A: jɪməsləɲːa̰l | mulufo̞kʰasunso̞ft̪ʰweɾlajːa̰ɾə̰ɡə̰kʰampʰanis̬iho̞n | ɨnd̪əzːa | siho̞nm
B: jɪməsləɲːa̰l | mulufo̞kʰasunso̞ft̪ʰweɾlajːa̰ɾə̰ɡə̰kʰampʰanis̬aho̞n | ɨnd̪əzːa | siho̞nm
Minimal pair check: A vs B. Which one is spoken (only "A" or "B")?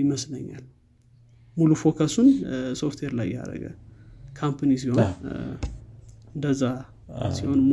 A